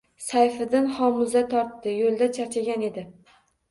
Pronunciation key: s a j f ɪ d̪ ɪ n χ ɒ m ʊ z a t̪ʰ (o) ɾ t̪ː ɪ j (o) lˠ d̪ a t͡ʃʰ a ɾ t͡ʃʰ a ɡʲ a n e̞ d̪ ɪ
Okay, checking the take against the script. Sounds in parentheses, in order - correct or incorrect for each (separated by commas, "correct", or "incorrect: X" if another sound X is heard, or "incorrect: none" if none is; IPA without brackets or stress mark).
incorrect: ɒ, correct